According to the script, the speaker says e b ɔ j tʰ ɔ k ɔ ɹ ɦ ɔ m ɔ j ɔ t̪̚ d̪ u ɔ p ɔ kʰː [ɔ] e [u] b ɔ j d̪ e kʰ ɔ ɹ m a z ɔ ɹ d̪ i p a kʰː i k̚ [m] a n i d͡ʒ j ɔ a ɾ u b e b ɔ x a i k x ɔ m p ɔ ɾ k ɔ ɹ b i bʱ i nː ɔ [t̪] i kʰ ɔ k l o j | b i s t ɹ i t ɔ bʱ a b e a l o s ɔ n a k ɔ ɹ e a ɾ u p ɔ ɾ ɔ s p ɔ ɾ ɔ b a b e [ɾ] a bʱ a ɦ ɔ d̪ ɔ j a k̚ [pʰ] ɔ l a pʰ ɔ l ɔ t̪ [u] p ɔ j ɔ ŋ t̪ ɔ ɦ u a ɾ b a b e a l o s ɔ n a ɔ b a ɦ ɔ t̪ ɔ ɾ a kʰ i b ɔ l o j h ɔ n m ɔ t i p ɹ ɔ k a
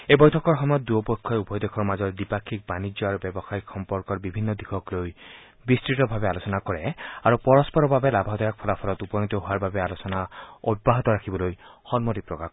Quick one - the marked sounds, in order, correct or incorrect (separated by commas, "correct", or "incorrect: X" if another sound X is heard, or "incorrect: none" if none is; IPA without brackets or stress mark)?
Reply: correct, correct, incorrect: b, incorrect: d̪, incorrect: l, correct, correct